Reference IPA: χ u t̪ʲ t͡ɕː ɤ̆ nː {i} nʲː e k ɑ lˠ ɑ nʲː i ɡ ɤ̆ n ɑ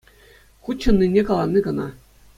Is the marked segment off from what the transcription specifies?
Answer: no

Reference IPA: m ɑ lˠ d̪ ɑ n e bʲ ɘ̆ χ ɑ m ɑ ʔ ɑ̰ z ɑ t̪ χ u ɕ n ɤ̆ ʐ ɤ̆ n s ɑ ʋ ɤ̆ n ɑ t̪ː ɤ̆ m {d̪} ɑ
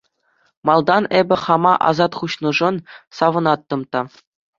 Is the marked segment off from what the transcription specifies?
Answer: yes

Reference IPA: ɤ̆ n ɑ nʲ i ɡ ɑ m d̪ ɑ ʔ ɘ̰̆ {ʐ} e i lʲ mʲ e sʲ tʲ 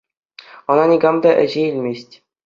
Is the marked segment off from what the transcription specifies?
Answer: yes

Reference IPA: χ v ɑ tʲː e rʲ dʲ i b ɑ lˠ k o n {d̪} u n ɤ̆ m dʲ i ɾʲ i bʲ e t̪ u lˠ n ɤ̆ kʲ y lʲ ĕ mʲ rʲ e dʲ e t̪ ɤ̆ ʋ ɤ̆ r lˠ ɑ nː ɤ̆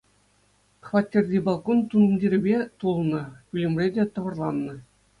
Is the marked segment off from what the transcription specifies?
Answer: yes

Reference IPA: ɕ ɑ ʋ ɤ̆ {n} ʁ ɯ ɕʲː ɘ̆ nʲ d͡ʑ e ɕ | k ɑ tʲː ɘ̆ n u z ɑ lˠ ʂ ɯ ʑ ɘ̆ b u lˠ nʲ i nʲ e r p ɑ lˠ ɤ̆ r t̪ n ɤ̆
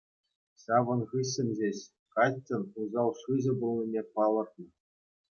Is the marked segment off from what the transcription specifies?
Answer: no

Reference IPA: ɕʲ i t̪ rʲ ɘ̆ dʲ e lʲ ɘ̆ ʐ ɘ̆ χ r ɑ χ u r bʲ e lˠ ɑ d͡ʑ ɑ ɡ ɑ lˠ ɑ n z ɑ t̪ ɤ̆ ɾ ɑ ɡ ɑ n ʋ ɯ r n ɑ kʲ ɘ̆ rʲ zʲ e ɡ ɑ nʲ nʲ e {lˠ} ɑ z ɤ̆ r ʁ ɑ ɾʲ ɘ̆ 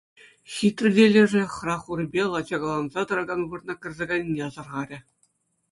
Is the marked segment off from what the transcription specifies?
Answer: yes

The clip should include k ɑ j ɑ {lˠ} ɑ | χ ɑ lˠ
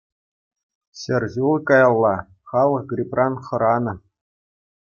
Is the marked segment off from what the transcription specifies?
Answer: yes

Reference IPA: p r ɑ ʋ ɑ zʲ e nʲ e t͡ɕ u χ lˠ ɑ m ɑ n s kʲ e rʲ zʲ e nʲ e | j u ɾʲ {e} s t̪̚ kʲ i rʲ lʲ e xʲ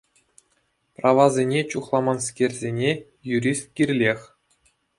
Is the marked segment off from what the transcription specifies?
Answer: yes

